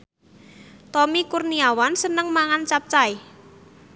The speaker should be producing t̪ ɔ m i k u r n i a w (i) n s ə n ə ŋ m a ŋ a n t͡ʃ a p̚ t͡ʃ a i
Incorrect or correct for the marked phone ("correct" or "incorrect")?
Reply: incorrect